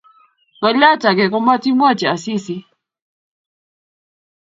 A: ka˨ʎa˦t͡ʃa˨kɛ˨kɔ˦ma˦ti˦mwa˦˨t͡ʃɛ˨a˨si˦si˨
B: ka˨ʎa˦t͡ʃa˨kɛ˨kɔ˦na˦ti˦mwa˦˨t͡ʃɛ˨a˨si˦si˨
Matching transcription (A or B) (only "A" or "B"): A